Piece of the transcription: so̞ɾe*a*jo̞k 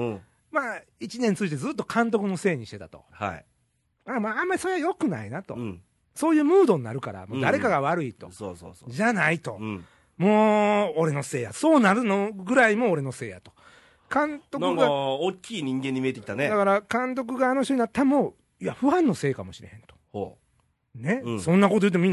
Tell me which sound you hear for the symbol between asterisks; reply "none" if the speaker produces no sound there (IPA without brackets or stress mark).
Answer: a